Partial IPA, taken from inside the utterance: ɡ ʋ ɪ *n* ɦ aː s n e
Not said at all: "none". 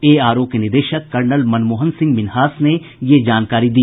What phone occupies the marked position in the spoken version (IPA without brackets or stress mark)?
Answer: n